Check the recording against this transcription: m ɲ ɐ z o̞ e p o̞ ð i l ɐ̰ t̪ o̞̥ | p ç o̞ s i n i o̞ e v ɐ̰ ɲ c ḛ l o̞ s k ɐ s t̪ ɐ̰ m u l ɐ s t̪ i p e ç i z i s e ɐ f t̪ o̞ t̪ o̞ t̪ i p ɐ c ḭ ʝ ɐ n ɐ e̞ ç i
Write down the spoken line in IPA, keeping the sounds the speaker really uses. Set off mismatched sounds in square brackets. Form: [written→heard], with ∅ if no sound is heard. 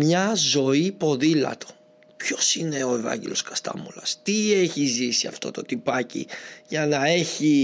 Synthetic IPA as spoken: m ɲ ɐ z o̞ [e→i] p o̞ ð i l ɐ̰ t̪ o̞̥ | p ç o̞ s i n [i→e] o̞ e v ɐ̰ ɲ [c→ɟ] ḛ l o̞ s k ɐ s t̪ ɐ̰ m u l ɐ s t̪ i [p→∅] e ç i z i s [e→i] ɐ f t̪ o̞ t̪ o̞ t̪ i p ɐ c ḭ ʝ ɐ n ɐ e̞ ç i